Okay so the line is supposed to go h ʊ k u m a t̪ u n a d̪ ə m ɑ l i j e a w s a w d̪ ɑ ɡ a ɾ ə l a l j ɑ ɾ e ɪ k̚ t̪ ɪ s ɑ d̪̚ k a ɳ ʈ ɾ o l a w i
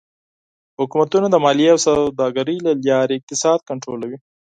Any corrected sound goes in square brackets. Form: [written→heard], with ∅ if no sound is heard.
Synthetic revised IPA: h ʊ k u m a t̪ u n a d̪ ə m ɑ l i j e a w s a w d̪ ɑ ɡ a ɾ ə l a l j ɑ ɾ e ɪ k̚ t̪ ɪ s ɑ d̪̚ k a ɳ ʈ ɾ o l a w i